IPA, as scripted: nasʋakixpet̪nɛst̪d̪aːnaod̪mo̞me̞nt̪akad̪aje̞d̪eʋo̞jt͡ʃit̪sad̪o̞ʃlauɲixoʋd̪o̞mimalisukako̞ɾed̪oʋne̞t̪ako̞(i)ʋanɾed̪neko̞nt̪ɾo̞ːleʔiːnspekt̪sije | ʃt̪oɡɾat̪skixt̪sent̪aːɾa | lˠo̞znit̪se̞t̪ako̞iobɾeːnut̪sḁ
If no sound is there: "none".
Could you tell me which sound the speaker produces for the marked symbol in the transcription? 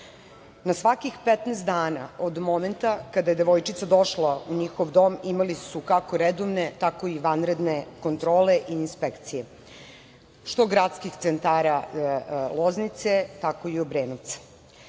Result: i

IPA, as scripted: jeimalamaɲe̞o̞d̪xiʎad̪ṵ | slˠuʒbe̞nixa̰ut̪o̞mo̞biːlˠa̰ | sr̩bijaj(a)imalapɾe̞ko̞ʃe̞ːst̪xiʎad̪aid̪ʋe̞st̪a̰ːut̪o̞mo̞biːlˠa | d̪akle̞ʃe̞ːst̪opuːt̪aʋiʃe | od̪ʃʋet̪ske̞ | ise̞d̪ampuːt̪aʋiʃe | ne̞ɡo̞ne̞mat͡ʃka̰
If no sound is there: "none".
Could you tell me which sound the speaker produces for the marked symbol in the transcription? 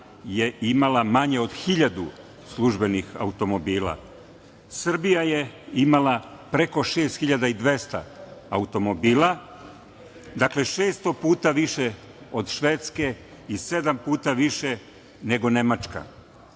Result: e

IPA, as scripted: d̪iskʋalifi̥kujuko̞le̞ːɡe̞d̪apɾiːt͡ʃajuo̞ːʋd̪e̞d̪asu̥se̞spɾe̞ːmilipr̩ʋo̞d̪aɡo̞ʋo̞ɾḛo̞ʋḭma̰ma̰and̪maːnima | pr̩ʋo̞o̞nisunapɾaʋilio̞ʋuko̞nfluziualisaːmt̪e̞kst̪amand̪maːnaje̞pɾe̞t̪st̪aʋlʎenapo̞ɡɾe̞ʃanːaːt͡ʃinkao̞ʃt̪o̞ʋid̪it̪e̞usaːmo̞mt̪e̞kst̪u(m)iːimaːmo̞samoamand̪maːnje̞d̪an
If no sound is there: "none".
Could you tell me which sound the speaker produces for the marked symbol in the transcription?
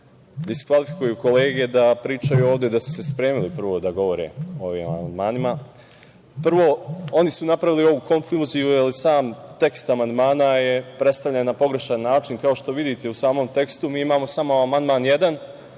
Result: m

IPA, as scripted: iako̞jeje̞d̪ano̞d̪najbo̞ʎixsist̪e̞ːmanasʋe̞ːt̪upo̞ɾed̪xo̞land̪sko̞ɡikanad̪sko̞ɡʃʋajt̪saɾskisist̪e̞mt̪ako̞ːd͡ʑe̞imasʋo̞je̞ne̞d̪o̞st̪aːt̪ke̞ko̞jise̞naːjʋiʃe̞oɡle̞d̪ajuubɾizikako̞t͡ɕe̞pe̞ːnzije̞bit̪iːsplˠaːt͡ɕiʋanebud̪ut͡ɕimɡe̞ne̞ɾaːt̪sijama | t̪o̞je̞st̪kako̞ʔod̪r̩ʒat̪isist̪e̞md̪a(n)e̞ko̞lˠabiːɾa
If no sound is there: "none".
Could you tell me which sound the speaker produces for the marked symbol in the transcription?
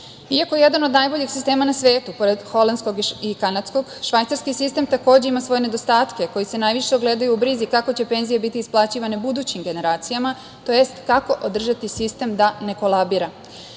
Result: n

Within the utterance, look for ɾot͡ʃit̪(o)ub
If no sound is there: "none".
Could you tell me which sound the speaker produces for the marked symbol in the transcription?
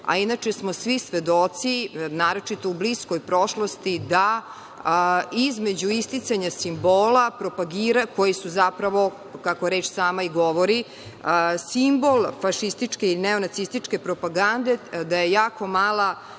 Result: o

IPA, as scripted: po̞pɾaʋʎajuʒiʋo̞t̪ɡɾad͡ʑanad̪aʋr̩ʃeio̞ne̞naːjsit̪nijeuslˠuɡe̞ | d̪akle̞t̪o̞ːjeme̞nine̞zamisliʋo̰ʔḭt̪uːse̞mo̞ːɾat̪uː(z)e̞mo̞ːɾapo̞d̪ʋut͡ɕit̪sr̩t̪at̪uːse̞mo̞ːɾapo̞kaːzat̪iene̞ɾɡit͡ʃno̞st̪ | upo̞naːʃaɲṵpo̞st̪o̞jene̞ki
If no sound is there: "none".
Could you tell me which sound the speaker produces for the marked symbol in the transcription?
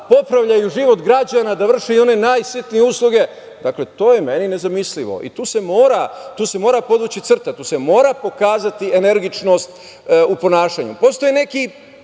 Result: s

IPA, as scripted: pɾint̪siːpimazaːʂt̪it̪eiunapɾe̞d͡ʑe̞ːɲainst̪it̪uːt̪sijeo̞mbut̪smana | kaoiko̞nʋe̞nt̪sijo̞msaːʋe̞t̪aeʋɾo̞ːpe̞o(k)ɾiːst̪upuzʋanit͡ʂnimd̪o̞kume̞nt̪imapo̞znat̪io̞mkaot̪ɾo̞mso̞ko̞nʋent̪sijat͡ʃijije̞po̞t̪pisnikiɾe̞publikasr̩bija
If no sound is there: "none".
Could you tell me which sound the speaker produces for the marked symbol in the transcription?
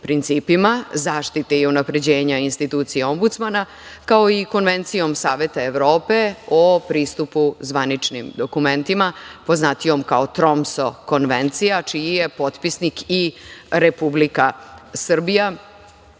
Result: p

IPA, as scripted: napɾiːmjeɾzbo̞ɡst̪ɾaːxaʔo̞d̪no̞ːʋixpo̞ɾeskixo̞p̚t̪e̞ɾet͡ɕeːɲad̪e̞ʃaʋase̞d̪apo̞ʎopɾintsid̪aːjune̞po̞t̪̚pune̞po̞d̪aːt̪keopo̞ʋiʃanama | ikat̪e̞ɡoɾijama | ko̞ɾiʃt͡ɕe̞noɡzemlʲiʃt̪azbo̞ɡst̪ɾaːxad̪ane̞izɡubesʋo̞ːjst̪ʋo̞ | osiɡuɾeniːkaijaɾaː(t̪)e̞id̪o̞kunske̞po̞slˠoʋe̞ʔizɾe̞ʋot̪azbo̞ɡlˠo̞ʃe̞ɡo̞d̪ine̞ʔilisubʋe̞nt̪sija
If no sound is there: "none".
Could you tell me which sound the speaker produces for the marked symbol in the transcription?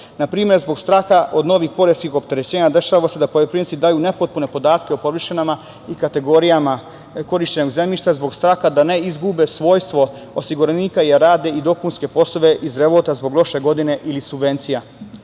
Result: d̪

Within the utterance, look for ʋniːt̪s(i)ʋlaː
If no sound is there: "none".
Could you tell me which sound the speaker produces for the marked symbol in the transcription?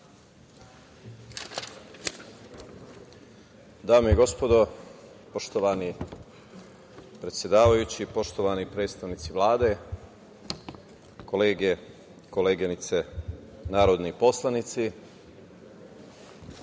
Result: i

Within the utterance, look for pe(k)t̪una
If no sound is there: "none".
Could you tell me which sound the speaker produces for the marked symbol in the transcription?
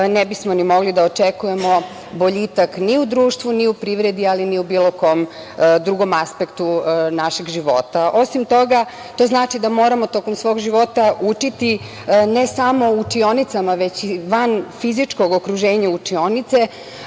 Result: k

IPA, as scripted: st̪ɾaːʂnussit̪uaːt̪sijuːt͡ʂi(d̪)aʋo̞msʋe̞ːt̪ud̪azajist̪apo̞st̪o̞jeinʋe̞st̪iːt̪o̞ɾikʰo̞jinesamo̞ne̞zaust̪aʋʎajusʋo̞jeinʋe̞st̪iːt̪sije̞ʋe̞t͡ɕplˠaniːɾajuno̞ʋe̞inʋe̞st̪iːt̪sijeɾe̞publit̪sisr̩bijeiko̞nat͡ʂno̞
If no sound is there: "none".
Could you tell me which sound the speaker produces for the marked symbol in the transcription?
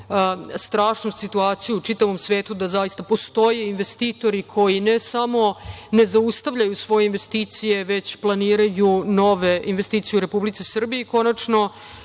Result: t̪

